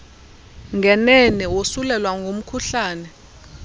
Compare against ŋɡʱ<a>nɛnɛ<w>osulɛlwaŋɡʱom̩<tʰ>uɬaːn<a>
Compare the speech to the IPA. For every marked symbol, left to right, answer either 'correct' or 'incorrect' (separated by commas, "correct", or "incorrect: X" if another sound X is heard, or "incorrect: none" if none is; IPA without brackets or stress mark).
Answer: incorrect: ɛ, correct, incorrect: kʰ, incorrect: ɛ